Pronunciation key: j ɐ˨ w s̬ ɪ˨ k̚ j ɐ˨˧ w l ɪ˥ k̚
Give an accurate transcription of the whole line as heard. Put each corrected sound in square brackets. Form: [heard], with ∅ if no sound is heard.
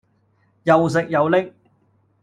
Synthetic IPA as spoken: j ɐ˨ w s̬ ɪ˨ k̚ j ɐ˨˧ w l ɪ˥ k̚